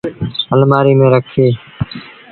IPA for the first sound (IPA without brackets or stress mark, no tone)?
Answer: ə